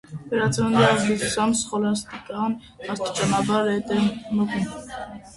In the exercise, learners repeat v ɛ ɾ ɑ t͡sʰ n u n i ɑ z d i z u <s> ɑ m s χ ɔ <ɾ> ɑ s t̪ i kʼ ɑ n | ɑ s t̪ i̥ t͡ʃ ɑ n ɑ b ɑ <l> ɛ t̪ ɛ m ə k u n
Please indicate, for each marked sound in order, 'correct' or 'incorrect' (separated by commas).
correct, incorrect, incorrect